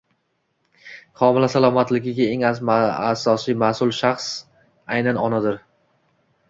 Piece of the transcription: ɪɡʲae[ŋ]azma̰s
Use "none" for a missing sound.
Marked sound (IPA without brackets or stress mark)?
ŋ